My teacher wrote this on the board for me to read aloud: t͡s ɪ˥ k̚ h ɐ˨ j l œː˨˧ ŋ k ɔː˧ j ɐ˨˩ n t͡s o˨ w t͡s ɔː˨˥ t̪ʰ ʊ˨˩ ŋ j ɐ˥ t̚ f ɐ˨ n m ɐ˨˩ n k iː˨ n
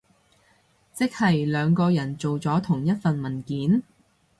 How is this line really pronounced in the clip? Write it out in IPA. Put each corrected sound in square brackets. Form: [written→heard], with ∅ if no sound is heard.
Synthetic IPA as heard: t͡s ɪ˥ k̚ h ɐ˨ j l œː˨˧ ŋ k ɔː˧ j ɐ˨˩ n t͡s o˨ w t͡s ɔː˨˥ t̪ʰ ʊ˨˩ ŋ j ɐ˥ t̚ f ɐ˨ n m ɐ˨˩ n k [iː˨→iː˨˥] n